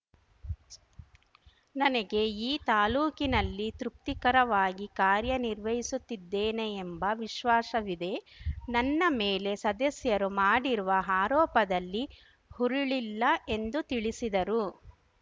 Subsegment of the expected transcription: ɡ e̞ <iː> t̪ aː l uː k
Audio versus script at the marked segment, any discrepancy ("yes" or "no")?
no